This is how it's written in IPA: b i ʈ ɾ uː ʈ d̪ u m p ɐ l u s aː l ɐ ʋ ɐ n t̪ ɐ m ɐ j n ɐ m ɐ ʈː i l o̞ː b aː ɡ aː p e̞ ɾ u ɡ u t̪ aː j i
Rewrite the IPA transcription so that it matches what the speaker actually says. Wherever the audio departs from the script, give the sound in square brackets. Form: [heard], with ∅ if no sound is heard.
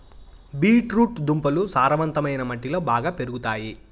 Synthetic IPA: b [iː] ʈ ɾ uː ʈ d̪ u m p ɐ l u s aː [ɾ] ɐ ʋ ɐ n t̪ ɐ m ɐ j n ɐ m ɐ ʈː i l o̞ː b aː ɡ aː p e̞ ɾ u ɡ u t̪ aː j i